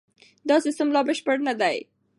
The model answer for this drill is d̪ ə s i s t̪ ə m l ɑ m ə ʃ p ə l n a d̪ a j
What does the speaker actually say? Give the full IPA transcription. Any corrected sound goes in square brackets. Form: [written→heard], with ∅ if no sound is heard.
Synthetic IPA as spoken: d̪ [ə→ɑ] s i s t̪ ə m l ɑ [m→b] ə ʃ p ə [l→ɽ] n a d̪ a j